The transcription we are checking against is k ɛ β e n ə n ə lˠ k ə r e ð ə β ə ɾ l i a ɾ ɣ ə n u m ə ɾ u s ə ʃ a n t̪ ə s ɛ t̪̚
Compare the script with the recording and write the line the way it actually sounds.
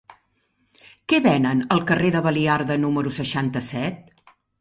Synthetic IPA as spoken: k ɛ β ɛ n ə n ə lˠ k ə r e ð ə β ə l i a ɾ ð ə n u m ə ɾ u s ə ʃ a n t̪ ə s ɛ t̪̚